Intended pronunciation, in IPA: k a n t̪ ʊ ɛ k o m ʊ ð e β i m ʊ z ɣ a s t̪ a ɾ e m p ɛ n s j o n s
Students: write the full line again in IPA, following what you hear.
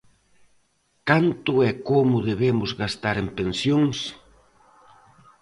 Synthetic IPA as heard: k a n t̪ ʊ ɛ k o m ʊ ð e β e m ʊ z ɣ a s t̪ a ɾ e m p e n s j o ŋ s

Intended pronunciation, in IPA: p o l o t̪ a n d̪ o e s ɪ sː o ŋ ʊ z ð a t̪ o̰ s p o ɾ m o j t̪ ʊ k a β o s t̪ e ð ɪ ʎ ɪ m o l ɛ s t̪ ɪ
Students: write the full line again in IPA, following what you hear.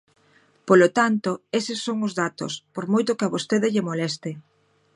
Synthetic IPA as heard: p o l o t̪ a n t̪ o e s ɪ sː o ŋ ʊ z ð a t̪ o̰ s p o ɾ m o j t̪ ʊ k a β o s t̪ e ð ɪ ʎ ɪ m o l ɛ s t̪ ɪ

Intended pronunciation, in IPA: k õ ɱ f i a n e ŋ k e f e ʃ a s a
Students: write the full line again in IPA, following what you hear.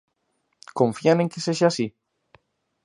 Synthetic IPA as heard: k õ ɱ f i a n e ŋ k e s e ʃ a s i

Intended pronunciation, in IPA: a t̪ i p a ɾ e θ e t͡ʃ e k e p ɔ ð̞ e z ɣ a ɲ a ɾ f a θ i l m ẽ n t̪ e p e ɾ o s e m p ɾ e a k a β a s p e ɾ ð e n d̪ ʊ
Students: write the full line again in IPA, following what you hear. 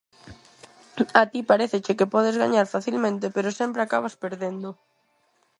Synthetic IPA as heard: a t̪ i p a ɾ e θ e t͡ʃ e k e p ɔ ð̞ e z ɣ a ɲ a ɾ f a θ i l m ẽ n t̪ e p e ɾ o s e m p ɾ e a k a β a s p e ɾ ð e n d̪ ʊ

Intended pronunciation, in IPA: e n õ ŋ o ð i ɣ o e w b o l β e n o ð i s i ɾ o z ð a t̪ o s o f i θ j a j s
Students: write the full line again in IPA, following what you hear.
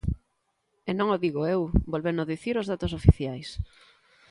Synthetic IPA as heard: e n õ ŋ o ð i ɣ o e w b o l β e n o ð i θ i ɾ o z ð a t̪ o s o f i θ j a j s

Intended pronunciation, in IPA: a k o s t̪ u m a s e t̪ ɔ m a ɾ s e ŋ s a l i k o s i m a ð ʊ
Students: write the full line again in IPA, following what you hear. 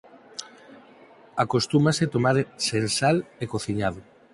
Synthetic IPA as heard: a k o s t̪ u m a s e t̪ o m a ɾ s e n s a l e k o θ i ɲ a ð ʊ

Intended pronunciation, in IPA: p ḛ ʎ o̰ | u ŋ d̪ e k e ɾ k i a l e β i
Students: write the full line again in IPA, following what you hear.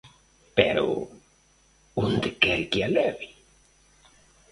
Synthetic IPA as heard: p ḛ ɾ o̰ | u n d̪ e k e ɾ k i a l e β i

